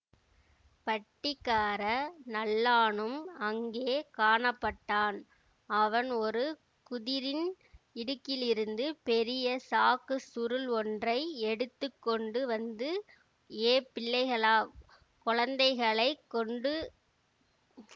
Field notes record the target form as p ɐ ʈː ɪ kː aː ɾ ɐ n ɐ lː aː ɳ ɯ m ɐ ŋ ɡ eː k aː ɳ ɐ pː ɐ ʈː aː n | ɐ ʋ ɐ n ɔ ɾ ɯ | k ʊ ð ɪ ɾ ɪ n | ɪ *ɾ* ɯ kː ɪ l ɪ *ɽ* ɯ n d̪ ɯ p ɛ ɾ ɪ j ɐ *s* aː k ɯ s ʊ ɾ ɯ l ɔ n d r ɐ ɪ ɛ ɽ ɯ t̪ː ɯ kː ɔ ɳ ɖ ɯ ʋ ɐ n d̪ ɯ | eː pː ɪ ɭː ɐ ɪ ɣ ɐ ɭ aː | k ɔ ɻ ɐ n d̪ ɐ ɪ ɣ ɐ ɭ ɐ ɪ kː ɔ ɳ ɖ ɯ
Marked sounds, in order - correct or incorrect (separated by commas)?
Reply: incorrect, incorrect, correct